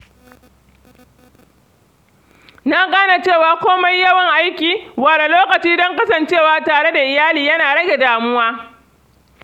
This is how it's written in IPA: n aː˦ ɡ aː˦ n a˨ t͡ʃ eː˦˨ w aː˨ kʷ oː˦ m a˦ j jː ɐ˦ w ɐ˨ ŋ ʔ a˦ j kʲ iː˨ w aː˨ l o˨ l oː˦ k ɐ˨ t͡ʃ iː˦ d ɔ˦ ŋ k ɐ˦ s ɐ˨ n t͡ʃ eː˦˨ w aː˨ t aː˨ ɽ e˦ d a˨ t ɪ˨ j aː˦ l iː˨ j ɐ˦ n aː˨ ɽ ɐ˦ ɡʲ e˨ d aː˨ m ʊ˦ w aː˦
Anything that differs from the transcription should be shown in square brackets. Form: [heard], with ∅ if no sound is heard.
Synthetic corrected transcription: n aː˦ ɡ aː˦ n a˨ t͡ʃ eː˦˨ w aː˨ kʷ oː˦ m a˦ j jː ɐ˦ w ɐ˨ ŋ ʔ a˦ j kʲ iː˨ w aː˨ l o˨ l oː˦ k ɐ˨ t͡ʃ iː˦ d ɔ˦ ŋ k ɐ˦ s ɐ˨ n t͡ʃ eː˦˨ w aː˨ t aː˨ ɽ e˦ d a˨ [ʔ] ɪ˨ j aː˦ l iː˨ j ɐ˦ n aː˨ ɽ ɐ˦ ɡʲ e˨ d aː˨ m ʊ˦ w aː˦